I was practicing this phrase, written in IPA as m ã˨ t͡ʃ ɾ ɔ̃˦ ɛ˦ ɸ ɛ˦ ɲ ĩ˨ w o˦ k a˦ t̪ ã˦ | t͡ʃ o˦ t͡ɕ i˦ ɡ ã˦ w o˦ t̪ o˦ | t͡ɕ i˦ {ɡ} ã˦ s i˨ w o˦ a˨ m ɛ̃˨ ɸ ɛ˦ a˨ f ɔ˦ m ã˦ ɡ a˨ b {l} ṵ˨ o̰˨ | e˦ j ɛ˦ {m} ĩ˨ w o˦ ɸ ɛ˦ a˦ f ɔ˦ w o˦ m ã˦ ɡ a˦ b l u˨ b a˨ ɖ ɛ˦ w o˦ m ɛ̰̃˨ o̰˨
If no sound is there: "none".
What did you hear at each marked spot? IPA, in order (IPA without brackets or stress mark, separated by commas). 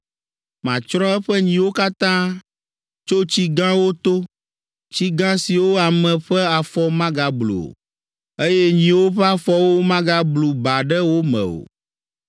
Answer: ɡ, l, ɲ